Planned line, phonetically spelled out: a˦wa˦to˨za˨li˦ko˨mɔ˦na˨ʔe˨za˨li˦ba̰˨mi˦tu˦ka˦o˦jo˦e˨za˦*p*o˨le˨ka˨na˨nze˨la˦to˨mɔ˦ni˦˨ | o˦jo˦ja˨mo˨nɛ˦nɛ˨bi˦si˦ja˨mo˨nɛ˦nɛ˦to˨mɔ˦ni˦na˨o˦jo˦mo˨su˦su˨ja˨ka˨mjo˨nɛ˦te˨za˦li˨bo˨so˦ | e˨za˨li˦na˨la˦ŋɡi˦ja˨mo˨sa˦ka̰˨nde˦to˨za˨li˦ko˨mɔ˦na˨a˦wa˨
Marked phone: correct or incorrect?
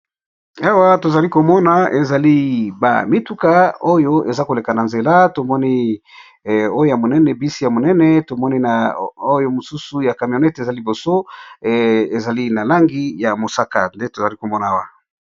incorrect